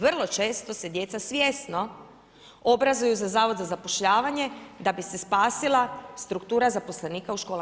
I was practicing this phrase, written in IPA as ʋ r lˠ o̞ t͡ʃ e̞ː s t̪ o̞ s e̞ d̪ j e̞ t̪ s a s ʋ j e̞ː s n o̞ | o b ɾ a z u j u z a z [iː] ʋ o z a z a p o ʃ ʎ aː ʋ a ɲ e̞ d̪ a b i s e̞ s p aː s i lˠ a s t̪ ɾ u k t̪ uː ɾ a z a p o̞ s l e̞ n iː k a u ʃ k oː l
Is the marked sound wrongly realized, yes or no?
yes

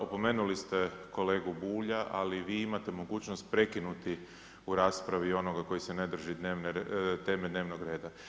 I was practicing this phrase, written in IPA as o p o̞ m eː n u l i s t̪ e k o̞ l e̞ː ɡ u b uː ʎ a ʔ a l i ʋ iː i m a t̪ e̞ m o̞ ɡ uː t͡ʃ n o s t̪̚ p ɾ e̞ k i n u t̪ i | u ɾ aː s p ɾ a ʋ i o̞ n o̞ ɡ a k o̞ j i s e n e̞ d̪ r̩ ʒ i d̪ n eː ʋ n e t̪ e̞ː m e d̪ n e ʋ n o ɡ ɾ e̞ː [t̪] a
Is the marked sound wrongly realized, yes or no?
yes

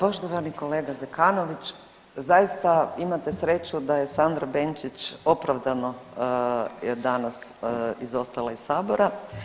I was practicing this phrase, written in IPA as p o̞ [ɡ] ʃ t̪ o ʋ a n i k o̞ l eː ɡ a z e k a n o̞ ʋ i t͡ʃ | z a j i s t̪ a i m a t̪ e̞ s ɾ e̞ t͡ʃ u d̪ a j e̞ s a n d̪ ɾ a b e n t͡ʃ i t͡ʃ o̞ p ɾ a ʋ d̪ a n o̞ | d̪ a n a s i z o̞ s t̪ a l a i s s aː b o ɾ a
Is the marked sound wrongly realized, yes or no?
yes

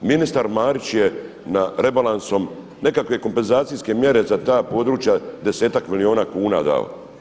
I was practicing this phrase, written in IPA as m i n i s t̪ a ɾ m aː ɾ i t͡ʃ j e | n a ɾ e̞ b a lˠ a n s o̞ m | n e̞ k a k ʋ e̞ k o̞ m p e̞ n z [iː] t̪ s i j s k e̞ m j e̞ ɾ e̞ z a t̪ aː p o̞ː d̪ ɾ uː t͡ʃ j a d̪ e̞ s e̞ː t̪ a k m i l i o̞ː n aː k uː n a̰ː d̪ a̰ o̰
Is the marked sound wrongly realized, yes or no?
yes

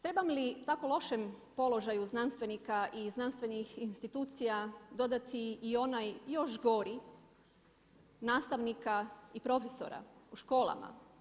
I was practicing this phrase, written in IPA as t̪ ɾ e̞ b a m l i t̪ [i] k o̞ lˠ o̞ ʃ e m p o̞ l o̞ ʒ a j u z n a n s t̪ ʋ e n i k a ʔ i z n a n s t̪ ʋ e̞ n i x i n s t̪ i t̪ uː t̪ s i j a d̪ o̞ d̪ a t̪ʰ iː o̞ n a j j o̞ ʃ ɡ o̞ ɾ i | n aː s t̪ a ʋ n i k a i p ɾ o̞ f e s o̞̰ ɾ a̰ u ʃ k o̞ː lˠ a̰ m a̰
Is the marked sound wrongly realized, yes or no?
yes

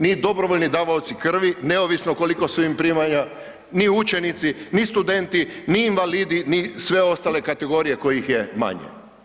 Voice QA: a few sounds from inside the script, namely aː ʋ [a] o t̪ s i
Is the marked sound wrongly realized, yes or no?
no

